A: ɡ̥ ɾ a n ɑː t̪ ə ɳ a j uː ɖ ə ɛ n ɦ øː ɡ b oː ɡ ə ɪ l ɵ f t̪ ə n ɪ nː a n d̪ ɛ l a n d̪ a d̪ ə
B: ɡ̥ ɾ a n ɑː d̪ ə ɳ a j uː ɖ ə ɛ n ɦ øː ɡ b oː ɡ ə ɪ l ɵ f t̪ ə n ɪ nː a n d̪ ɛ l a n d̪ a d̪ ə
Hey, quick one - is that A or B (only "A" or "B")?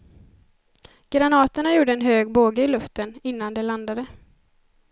A